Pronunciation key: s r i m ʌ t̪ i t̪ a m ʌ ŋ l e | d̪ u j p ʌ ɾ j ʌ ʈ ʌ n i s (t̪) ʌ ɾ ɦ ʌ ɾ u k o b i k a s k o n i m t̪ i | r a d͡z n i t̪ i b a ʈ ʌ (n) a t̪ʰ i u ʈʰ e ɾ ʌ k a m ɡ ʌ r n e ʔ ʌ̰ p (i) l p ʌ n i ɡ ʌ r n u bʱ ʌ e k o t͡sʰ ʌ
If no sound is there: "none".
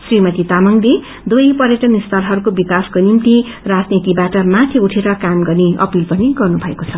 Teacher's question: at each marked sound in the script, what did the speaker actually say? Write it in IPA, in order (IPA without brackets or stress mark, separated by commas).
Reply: t̪, m, i